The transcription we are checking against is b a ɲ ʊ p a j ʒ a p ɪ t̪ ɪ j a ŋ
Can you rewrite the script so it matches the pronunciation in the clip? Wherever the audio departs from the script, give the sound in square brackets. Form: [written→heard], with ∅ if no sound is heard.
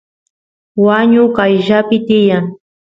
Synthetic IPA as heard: [b→w] a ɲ ʊ [p→k] a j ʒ a p ɪ t̪ ɪ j a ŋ